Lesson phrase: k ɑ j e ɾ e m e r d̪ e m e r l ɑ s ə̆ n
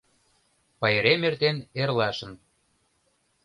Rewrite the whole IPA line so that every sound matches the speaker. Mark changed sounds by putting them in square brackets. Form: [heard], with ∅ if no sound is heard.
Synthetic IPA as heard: [p] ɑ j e ɾ e m e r [t̪] e [n] e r l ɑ [ʃ] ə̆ n

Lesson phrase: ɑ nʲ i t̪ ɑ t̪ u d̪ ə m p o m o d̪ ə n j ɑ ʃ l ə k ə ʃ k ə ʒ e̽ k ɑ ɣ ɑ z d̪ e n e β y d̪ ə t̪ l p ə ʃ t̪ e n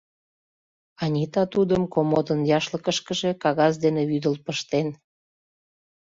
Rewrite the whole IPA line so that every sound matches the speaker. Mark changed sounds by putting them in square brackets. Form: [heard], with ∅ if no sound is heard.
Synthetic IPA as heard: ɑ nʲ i t̪ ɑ t̪ u d̪ ə m [k] o m o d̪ ə n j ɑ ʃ l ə k ə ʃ k ə ʒ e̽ k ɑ ɣ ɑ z d̪ e n e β y d̪ ə [∅] l p ə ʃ t̪ e n

